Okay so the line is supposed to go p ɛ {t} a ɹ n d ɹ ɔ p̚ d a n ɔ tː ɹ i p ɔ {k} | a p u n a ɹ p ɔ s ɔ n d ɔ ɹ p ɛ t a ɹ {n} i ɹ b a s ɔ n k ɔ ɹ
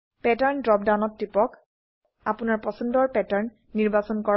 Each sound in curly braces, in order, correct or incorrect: correct, correct, incorrect

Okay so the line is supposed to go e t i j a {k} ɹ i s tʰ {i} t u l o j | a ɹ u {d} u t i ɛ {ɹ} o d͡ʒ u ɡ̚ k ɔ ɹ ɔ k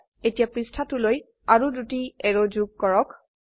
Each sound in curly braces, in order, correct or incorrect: incorrect, incorrect, correct, correct

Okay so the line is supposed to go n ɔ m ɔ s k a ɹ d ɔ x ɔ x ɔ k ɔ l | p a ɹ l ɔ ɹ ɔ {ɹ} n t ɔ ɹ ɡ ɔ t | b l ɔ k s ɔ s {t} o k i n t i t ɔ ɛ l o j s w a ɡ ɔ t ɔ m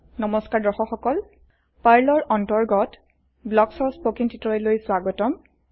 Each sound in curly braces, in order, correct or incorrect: incorrect, incorrect

